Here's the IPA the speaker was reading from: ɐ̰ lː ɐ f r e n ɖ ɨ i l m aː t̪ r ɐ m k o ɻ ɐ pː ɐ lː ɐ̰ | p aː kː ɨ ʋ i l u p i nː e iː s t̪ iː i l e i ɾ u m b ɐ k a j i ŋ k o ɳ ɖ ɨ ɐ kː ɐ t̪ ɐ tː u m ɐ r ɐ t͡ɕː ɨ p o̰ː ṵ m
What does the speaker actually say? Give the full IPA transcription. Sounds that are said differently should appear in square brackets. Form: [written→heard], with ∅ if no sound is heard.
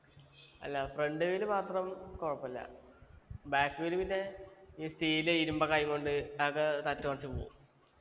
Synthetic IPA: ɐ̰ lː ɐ f r e [n→ɳ] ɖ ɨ i l m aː t̪ r ɐ m k o ɻ ɐ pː ɐ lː ɐ̰ | [p→b] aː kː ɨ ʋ i l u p i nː e iː s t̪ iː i l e i ɾ u m b ɐ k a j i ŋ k o ɳ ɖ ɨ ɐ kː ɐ t̪ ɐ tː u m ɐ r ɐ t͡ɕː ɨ p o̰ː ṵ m